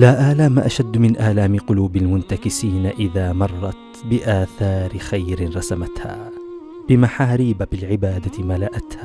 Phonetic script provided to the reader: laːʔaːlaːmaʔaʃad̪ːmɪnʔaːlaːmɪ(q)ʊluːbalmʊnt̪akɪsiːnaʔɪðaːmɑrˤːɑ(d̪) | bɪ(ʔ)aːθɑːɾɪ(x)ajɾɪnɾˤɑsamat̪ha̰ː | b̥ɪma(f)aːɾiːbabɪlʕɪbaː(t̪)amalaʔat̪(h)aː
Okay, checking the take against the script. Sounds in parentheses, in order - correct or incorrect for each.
correct, incorrect, correct, correct, incorrect, incorrect, correct

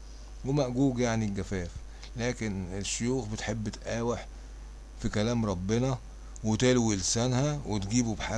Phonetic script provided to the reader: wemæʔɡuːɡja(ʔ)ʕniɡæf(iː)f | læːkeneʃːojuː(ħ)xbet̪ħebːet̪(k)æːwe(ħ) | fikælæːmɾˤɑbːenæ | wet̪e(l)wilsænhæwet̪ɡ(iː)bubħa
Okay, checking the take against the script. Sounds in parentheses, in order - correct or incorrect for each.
incorrect, incorrect, incorrect, incorrect, correct, correct, correct

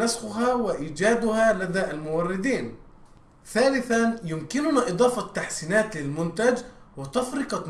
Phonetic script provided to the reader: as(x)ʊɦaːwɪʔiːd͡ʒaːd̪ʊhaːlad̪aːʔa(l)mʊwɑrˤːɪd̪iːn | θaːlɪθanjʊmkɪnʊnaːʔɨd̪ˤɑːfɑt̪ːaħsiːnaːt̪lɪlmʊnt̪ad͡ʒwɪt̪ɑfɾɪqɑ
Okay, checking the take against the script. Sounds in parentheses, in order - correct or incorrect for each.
correct, correct

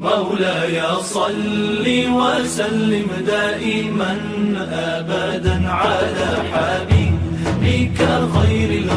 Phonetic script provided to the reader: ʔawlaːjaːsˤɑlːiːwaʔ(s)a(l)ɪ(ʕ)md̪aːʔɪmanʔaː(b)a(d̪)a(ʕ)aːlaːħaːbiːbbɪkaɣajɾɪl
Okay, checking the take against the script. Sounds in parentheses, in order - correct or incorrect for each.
correct, incorrect, incorrect, correct, correct, correct

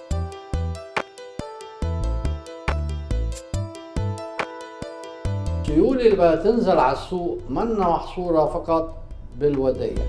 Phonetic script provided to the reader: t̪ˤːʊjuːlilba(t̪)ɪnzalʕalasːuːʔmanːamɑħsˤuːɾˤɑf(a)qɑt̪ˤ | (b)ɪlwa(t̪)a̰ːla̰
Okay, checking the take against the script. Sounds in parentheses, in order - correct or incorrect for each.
correct, incorrect, correct, incorrect

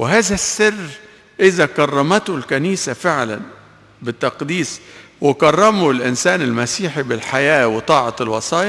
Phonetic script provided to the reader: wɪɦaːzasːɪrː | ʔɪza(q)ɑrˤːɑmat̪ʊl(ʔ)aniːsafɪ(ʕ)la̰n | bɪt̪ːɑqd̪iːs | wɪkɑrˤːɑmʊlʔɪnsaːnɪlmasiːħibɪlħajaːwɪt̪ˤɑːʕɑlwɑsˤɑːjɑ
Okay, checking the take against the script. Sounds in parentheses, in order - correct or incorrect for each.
incorrect, incorrect, correct

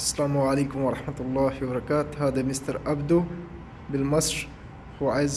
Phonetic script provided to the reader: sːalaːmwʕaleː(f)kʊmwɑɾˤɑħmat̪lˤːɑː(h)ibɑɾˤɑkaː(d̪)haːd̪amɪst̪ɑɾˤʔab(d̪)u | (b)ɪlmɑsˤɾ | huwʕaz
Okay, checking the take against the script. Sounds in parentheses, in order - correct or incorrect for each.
incorrect, incorrect, incorrect, correct, correct

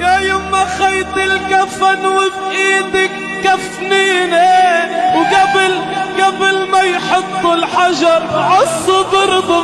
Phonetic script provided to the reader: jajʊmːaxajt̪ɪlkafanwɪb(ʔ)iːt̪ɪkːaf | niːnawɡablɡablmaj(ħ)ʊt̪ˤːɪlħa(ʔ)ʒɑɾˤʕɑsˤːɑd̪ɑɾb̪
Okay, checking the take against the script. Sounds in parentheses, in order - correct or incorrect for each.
correct, correct, incorrect

